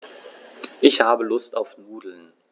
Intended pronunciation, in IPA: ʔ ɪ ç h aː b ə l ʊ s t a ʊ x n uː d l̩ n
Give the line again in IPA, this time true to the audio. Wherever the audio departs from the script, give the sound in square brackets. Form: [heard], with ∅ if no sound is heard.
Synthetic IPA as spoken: ʔ ɪ ç h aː b ə l ʊ s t a ʊ [f] n uː d l̩ n